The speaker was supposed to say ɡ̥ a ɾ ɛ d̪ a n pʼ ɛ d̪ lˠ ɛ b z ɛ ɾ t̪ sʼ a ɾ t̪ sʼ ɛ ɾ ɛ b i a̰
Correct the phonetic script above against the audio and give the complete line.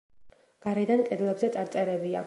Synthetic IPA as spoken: ɡ̥ a ɾ ɛ d̪ a n kʼ ɛ d̪ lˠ ɛ b z ɛ t̪ sʼ a ɾ t̪ sʼ ɛ ɾ ɛ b i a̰